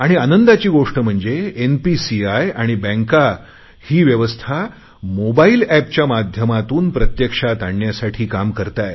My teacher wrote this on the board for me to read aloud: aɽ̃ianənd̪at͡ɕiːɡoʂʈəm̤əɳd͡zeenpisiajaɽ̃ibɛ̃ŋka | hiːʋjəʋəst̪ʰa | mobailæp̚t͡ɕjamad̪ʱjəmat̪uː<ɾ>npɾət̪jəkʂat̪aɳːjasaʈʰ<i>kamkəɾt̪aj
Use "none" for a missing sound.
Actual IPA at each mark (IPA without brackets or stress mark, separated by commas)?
none, iː